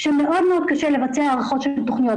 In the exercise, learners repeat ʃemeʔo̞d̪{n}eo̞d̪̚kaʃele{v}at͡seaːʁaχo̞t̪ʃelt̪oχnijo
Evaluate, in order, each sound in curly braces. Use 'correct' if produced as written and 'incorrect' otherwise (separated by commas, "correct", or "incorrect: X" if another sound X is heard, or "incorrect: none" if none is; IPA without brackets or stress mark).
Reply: incorrect: m, correct